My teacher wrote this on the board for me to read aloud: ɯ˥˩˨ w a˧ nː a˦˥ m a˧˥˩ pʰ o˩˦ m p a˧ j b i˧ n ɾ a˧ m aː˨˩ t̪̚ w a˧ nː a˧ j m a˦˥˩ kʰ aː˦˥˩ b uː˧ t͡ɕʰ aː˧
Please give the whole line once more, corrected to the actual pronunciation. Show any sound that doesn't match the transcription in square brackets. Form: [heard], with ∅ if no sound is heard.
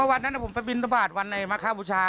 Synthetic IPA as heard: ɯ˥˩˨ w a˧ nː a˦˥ [n] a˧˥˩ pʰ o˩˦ m p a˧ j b i˧ n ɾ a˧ [b] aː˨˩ t̪̚ w a˧ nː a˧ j m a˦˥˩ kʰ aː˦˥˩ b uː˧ t͡ɕʰ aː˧